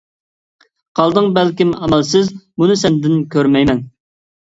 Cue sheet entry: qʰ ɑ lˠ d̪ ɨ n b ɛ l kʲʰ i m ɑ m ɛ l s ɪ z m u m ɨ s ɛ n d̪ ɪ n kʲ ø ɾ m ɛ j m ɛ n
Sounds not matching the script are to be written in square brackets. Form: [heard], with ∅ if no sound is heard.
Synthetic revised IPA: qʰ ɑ lˠ d̪ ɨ [ŋ] b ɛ l [kʲ] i m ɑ m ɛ l s ɪ z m u [n] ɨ s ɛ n d̪ ɪ n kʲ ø ɾ m ɛ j m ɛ n